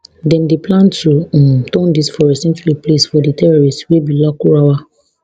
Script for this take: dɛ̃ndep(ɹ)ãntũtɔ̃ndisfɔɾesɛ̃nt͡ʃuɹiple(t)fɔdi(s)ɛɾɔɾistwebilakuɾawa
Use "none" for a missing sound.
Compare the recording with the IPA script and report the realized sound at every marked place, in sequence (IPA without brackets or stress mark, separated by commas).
l, s, t